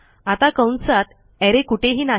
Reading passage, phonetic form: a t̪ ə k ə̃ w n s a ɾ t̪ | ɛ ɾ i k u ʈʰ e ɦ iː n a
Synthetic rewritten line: a t̪ a k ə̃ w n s a t̪ | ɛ ɾ e k u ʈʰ e ɦ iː n a

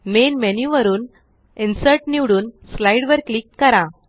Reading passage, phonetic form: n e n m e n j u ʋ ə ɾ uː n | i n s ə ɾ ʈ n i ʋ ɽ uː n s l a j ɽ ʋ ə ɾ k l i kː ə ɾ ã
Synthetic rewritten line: m e n m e n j u ʋ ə ɾ uː n | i n s ə ɾ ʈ n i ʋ ɽ uː n s l a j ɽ ʋ ə ɾ k l i kː ə ɾ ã

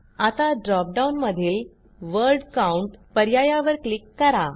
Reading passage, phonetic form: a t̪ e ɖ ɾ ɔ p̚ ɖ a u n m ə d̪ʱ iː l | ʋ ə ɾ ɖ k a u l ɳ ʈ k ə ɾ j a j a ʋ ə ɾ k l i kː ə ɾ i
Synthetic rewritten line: a t̪ a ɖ ɾ ɔ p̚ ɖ a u n m ə d̪ʱ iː l | ʋ ə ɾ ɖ k a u ɳ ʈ p ə ɾ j a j a ʋ ə ɾ k l i kː ə ɾ a

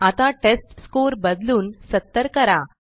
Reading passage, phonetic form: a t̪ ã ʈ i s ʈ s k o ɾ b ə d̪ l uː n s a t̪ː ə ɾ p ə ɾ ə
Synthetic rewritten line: a t̪ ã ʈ e s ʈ s k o ɾ b ə d̪ l uː n s ə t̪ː ə ɾ k ə ɾ a

